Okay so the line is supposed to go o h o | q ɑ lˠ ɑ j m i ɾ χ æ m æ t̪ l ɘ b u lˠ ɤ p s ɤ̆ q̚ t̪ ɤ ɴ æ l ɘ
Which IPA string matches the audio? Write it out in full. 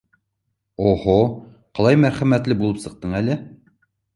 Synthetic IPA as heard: o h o | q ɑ lˠ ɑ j m æ ɾ χ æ m æ t̪ l ɘ b u lˠ ɤ p s ɤ̆ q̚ t̪ ɤ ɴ æ l ɘ